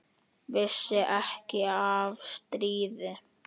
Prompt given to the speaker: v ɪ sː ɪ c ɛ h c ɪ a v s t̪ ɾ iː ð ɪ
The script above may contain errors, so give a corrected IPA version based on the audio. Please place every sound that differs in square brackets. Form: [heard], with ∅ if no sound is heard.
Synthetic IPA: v ɪ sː ɪ [ʔ] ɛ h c ɪ a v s t̪ ɾ iː ð ɪ